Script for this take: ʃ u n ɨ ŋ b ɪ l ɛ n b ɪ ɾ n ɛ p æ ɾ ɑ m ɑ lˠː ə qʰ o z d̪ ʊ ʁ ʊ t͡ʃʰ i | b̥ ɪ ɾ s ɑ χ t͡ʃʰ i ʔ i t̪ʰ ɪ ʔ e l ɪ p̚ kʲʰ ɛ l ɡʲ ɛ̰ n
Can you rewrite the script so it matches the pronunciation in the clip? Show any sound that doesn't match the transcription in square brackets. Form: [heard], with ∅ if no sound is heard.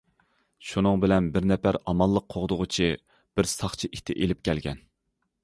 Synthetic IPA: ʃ u n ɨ ŋ b ɪ l ɛ n b ɪ ɾ n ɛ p æ ɾ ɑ m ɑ lˠː ə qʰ o [ʁ] d̪ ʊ ʁ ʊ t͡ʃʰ i | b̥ ɪ ɾ s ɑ χ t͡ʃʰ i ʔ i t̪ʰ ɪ ʔ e l ɪ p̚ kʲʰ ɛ l ɡʲ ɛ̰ n